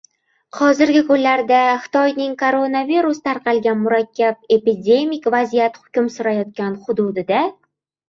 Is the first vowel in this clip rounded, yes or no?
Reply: yes